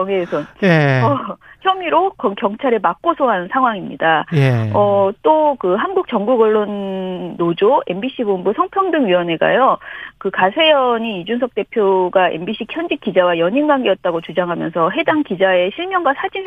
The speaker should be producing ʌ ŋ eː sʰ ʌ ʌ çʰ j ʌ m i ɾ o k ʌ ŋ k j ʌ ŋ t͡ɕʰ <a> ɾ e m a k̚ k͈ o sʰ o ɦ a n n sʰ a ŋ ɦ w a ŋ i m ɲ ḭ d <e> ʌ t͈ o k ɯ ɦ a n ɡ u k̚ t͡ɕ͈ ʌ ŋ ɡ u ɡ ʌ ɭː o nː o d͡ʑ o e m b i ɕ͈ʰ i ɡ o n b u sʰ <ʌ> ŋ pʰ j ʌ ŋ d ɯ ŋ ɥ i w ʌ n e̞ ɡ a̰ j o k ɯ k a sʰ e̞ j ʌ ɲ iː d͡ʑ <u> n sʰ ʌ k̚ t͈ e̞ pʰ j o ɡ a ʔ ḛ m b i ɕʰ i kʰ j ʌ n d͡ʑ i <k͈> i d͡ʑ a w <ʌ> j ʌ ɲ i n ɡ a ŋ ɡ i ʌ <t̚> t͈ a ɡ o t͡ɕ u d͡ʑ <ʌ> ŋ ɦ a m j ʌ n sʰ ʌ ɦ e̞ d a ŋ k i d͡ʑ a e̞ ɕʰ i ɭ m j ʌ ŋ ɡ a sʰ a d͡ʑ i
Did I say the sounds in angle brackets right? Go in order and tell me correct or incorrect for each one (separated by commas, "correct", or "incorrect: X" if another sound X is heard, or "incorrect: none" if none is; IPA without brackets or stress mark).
correct, incorrect: a, correct, correct, correct, incorrect: a, correct, incorrect: a